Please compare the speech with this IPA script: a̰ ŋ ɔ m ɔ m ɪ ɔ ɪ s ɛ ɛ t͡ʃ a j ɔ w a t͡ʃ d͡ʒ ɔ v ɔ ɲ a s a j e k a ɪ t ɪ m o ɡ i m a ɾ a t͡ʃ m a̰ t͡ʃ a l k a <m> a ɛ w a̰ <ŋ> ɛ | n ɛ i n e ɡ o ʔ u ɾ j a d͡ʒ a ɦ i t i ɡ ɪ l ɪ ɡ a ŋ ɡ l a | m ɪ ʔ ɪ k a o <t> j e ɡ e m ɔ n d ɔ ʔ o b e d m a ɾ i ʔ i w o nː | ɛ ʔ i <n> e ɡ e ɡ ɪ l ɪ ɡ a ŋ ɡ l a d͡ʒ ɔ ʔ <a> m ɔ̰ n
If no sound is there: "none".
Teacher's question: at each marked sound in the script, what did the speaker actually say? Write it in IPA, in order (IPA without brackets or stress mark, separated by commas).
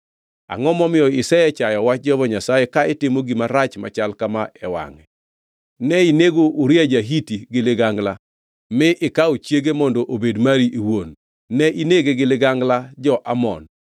m, ŋ, t͡ʃ, n, a